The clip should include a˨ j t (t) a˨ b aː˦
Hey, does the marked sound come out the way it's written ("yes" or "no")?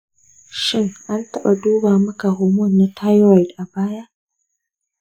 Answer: no